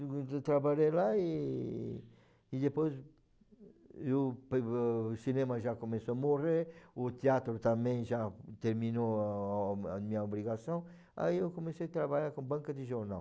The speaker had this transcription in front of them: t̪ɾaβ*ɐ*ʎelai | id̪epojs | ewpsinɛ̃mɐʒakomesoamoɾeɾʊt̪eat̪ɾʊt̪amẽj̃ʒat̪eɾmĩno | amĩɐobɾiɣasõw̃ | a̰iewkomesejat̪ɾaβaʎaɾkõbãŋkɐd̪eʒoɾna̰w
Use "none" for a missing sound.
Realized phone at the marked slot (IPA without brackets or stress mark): a